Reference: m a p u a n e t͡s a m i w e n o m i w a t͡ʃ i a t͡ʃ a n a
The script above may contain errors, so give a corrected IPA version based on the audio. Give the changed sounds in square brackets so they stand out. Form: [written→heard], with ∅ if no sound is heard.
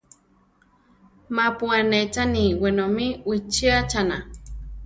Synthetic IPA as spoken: m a p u a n e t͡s a [m→n] i w e n o m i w [a→i] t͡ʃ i a t͡ʃ a n a